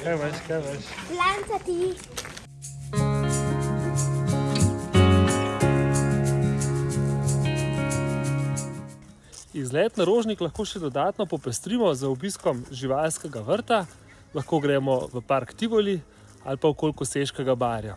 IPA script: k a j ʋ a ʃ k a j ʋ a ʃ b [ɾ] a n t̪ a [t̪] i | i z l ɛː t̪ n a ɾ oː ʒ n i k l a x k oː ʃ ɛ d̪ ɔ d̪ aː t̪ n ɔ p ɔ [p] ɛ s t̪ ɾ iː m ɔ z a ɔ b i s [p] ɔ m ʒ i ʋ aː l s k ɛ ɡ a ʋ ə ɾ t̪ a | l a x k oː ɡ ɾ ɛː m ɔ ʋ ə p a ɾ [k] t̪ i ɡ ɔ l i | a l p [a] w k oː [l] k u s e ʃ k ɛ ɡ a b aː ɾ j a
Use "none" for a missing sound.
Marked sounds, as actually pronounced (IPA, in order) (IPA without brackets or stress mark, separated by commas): l, t̪, p, k, k, a, l